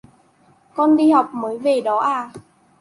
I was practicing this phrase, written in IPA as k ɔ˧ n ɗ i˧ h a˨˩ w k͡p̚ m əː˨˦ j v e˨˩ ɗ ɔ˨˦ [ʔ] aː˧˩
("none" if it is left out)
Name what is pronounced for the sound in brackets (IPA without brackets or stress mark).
ʔ